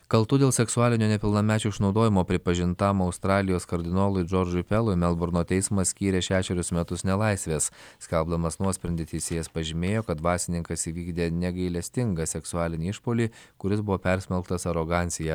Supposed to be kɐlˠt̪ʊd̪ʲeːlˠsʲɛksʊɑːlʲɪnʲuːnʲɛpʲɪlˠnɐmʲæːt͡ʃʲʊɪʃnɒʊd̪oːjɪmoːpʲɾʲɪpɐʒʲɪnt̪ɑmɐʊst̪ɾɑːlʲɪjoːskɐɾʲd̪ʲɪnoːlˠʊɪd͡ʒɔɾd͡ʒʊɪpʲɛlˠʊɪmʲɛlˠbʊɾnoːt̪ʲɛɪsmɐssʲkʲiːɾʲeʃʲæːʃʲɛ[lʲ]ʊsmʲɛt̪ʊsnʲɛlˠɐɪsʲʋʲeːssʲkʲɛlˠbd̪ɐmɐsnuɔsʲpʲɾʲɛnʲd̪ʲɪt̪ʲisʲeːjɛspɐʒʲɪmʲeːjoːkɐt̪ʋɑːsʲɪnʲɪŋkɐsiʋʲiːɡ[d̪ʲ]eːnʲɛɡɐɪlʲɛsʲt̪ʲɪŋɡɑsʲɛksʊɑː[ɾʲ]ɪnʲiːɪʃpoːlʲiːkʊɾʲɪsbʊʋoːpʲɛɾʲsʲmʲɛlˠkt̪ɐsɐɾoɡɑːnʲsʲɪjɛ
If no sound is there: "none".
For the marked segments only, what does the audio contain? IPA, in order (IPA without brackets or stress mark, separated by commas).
ɾʲ, d̪ʲ, lʲ